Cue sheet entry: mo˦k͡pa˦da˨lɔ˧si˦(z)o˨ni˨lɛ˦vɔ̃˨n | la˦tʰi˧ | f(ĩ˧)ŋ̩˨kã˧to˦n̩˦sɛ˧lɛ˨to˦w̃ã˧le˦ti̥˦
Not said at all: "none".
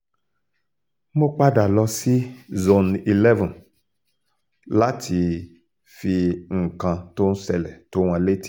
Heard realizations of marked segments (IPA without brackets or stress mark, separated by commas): z, i˧